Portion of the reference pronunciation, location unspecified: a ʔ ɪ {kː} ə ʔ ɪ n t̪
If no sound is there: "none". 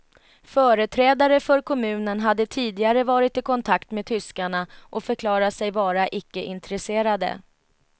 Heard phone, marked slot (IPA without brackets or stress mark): kː